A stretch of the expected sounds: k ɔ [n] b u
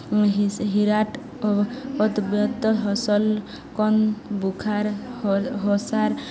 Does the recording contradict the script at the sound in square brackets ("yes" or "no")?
no